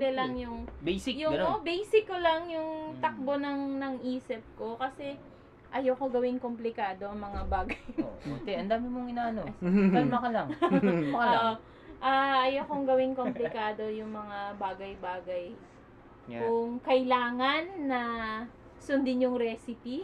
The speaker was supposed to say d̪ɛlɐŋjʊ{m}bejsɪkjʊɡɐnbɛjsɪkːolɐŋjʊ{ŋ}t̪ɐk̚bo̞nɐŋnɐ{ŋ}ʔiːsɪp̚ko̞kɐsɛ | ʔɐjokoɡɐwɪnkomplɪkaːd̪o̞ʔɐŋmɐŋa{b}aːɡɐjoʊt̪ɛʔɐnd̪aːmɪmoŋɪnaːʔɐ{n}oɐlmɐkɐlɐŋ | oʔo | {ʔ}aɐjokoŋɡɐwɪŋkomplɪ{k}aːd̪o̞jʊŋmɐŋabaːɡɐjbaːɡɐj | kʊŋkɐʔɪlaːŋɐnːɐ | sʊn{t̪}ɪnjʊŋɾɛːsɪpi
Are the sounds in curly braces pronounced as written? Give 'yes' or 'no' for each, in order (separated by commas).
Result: no, yes, yes, yes, yes, yes, yes, no